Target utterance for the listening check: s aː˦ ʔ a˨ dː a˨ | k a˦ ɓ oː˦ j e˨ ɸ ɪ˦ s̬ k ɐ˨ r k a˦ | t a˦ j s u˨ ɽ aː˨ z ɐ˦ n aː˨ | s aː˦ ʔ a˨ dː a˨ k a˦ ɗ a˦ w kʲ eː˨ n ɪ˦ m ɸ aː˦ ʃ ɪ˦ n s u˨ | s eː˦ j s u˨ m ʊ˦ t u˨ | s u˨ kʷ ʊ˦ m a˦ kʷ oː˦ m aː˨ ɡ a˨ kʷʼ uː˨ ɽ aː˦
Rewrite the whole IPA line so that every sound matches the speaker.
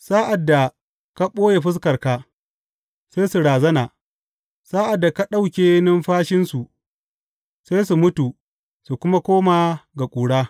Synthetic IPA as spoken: s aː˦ ʔ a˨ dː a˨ | k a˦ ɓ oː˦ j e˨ ɸ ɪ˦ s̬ k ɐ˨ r k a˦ | s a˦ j s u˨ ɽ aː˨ z ɐ˦ n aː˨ | s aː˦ ʔ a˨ dː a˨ k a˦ ɗ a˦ w kʲ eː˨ n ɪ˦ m ɸ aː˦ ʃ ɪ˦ n s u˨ | s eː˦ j s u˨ m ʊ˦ t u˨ | s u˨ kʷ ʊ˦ m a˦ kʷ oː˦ m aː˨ ɡ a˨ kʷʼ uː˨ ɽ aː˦